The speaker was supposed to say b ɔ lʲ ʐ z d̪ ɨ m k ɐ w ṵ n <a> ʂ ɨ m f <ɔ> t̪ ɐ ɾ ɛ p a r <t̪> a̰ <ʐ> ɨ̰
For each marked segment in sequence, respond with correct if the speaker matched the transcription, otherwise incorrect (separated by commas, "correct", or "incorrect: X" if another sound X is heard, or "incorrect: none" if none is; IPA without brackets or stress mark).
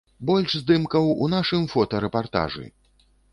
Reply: correct, correct, correct, correct